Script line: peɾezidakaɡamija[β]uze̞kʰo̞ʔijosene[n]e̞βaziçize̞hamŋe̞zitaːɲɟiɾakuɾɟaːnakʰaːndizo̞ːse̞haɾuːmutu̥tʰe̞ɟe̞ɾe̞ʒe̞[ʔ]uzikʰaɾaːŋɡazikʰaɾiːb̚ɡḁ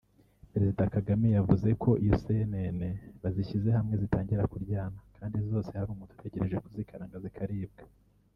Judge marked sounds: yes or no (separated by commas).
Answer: no, yes, no